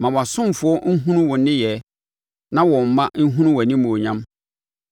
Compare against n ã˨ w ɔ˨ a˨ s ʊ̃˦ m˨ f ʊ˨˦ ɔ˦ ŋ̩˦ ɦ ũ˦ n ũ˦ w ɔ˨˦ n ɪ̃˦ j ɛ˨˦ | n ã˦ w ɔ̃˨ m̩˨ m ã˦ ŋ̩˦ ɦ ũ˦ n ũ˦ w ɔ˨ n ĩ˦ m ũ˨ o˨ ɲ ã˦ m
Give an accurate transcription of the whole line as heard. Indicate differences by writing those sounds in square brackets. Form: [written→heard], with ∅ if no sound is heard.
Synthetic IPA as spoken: [n→m] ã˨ w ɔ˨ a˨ s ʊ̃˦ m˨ f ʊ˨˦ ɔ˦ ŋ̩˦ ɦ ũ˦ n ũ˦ w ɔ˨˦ n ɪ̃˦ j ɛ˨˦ | n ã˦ w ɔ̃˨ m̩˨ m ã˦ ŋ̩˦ ɦ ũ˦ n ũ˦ w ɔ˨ n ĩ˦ m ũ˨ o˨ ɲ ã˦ m